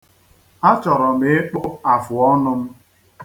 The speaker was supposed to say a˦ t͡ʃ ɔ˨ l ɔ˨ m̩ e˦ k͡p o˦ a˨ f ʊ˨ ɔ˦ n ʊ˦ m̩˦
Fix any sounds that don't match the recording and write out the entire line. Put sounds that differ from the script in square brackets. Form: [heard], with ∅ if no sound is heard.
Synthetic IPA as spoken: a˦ t͡ʃ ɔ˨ [ɾ] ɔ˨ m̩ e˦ k͡p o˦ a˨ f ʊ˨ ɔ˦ n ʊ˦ m̩˦

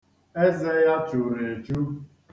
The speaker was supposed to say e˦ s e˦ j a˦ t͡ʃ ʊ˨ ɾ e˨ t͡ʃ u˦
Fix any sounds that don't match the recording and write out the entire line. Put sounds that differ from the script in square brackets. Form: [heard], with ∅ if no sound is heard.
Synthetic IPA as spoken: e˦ [z] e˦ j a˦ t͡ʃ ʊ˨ ɾ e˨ t͡ʃ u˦

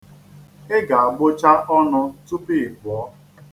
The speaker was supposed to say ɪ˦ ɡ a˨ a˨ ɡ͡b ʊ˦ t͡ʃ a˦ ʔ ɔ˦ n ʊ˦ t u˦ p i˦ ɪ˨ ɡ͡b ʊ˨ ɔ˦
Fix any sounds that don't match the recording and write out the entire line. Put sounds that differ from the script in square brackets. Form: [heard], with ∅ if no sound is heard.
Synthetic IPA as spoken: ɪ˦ ɡ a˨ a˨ ɡ͡b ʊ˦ t͡ʃ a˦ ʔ ɔ˦ n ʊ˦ t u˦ p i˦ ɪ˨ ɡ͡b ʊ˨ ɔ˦

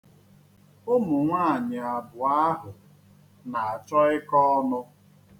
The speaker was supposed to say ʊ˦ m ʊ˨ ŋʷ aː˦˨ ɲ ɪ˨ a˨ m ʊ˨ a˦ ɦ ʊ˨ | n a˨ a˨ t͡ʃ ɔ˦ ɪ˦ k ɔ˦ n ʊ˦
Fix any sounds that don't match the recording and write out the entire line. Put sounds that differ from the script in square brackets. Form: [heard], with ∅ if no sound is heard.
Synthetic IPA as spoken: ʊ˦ m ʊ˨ ŋʷ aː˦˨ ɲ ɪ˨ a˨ [b] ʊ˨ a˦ ɦ ʊ˨ | n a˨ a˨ t͡ʃ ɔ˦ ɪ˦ k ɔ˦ n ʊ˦

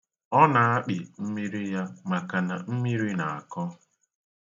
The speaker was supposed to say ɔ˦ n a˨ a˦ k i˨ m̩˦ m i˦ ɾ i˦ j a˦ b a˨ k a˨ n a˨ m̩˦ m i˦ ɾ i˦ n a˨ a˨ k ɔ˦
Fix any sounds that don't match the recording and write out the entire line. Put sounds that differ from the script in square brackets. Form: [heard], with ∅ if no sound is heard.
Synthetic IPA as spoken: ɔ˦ n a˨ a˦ [k͡p] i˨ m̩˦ m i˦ ɾ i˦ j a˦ [m] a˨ k a˨ n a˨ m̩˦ m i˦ ɾ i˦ n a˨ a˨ k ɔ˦

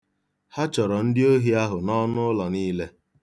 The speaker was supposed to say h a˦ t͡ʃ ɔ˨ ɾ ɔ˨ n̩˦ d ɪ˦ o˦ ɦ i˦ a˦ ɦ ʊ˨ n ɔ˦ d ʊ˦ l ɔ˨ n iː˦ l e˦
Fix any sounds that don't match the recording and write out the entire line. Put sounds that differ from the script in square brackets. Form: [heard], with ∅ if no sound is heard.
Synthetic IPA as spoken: h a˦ t͡ʃ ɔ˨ ɾ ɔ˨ n̩˦ d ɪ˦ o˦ ɦ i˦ a˦ ɦ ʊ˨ n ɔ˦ [n] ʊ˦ l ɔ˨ n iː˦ l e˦

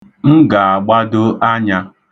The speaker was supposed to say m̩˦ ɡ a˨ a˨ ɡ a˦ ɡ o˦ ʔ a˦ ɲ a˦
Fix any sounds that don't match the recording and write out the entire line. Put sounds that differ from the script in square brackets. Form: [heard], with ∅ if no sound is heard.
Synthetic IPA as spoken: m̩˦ ɡ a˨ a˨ [ɡ͡b] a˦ [d] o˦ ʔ a˦ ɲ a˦

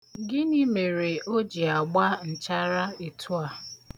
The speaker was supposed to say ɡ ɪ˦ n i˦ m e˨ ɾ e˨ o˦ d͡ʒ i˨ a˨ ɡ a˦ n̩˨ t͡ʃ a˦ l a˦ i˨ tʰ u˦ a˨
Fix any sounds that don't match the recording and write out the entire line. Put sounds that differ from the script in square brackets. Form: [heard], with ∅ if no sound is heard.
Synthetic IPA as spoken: ɡ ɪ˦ n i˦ m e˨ ɾ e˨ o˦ d͡ʒ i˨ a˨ [ɡ͡b] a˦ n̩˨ t͡ʃ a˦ [ɾ] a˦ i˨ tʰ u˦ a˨

